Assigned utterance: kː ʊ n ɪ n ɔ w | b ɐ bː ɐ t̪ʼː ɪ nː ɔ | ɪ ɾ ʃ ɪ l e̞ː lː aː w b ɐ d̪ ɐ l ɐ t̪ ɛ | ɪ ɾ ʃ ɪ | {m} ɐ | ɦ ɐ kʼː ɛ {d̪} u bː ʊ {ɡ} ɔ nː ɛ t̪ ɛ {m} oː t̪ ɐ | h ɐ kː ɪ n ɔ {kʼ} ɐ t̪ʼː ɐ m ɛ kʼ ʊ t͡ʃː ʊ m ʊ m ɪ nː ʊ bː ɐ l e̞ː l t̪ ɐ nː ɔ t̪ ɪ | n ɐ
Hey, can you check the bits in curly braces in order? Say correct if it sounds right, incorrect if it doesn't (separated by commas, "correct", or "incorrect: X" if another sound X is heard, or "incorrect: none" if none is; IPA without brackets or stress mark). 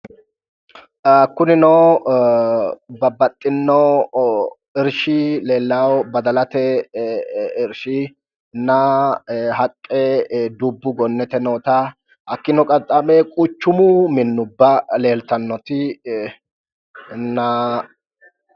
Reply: incorrect: n, correct, correct, incorrect: n, correct